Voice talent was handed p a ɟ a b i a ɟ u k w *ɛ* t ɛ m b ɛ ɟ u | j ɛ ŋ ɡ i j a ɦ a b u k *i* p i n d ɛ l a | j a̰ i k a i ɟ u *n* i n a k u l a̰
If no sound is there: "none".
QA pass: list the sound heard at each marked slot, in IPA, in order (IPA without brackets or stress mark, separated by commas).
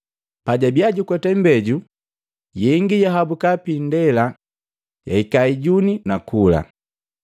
ɛ, a, n